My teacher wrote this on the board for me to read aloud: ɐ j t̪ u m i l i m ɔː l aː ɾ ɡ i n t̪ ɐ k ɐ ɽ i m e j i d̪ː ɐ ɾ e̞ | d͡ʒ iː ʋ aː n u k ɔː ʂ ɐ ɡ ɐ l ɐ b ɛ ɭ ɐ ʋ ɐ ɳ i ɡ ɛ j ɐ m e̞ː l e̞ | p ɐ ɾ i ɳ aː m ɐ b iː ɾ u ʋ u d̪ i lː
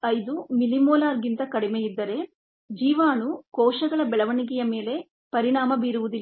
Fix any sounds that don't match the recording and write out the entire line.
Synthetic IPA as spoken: ɐ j d̪ u m i l i m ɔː l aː ɾ ɡ i n t̪ ɐ k ɐ ɽ i m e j i d̪ː ɐ ɾ e̞ | d͡ʒ iː ʋ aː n u k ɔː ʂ ɐ ɡ ɐ ɭ ɐ b ɛ ɭ ɐ ʋ ɐ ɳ i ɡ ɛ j ɐ m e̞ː l e̞ | p ɐ ɾ i ɳ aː m ɐ b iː ɾ u ʋ u d̪ i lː